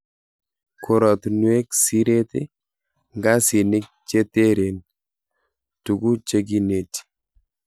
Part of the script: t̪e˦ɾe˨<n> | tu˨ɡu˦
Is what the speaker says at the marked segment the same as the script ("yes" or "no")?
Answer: yes